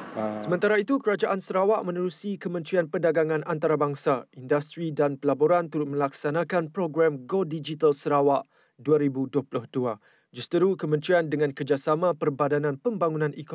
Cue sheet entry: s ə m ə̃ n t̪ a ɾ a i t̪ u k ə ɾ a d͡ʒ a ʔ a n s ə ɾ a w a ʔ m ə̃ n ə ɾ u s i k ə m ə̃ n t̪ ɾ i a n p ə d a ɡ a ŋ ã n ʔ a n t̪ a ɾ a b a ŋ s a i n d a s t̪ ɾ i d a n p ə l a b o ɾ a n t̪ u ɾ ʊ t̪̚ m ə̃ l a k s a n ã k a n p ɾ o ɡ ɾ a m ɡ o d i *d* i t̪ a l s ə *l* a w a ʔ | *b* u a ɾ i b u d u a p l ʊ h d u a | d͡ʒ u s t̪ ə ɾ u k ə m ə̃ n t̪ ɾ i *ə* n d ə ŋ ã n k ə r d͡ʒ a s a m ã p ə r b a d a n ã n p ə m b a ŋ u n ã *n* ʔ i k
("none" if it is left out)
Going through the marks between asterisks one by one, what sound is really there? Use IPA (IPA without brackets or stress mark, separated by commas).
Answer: d͡ʒ, ɾ, d, a, n